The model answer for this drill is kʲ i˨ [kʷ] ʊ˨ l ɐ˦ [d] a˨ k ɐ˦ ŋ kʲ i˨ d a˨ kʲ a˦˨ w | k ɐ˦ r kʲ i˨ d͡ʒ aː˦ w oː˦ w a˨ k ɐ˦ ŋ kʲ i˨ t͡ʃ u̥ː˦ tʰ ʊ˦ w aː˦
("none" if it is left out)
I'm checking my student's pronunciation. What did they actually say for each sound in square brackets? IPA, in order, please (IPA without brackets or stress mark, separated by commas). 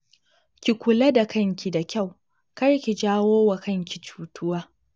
kʷ, d